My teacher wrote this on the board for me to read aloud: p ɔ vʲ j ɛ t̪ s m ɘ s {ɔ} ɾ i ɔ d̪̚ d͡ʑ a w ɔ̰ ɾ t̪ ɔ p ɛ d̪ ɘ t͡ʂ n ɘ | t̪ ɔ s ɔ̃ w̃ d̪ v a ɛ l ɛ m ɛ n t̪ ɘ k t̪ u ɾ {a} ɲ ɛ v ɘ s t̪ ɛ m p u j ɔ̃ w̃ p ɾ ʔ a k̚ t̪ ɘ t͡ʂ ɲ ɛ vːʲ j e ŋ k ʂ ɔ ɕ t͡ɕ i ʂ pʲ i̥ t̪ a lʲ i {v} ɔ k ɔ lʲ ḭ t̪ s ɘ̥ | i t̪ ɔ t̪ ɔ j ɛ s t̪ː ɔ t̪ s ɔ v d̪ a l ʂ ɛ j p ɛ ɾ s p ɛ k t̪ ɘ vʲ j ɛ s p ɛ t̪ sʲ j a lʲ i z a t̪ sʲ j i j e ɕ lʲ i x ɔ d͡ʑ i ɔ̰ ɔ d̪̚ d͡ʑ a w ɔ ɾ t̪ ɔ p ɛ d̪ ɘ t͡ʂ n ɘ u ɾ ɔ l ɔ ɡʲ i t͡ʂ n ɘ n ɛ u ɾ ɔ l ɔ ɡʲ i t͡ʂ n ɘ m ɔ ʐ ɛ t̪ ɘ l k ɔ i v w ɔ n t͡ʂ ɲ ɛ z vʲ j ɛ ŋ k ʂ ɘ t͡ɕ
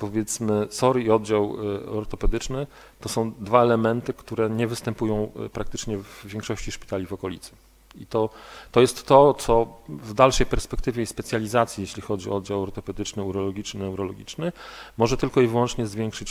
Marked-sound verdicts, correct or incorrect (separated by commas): correct, incorrect, correct